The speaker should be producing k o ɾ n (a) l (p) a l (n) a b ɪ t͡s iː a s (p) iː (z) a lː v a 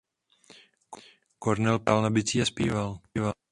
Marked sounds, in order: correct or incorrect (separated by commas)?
incorrect, correct, correct, correct, incorrect